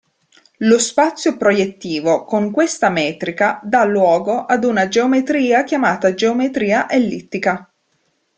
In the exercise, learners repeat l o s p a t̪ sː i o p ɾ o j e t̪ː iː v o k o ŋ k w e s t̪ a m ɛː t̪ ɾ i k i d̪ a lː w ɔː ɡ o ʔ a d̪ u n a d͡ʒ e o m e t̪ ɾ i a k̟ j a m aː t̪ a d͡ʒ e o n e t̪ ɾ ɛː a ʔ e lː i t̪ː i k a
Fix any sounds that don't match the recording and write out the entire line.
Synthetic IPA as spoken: l o s p a t̪ sː j o p ɾ o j e t̪ː iː v o k o ŋ k w e s t̪ a m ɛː t̪ ɾ i k a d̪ a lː w ɔː ɡ o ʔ a d̪ u n a d͡ʒ e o m e t̪ ɾ iː a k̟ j a m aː t̪ a d͡ʒ e o m e t̪ ɾ iː a ʔ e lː i t̪ː i k a